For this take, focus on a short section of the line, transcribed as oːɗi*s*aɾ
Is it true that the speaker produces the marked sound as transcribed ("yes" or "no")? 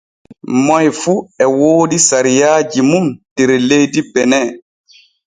yes